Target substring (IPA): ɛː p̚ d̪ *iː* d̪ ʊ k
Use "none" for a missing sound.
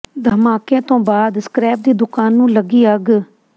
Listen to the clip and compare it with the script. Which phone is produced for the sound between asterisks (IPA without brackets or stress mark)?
iː